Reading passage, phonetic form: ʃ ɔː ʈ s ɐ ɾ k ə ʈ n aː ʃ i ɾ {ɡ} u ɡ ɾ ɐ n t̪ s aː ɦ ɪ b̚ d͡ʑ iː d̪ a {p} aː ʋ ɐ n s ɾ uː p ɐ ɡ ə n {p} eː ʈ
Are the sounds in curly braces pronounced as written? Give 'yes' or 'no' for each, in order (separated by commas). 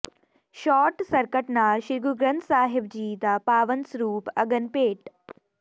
yes, yes, yes